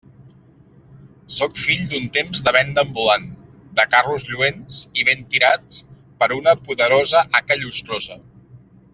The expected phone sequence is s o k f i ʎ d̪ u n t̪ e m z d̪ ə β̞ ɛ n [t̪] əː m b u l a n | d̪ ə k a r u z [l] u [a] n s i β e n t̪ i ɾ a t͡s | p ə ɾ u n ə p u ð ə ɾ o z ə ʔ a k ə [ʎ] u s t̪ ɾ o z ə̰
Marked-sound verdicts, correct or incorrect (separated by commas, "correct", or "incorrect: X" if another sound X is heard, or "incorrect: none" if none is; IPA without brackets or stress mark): incorrect: d̪, incorrect: ʎ, incorrect: e, correct